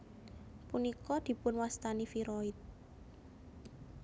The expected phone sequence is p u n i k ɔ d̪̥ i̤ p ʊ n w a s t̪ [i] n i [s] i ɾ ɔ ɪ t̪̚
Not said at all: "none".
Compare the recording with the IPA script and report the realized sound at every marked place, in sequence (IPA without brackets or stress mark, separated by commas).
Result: a, f